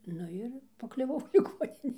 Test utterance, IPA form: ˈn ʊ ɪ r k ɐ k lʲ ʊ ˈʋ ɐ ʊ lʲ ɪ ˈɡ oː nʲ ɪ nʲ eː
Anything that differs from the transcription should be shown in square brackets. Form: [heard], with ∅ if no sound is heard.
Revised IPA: ˈn ʊ ɪ r [p] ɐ k lʲ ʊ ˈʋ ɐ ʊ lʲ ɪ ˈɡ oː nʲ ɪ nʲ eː